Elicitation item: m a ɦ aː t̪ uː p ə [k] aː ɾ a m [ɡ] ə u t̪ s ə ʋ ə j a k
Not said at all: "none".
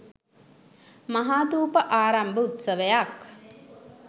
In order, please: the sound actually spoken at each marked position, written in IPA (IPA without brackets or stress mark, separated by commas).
ʔ, b